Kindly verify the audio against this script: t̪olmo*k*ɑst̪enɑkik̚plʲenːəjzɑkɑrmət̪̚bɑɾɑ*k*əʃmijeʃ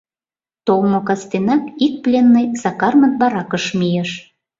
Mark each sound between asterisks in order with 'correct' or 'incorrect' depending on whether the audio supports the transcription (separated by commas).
correct, correct